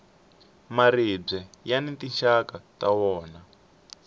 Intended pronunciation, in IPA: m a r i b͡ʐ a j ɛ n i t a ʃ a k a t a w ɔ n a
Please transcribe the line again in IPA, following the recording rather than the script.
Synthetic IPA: m a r i b͡ʐ ɛ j a n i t i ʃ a k a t a w ɔː n a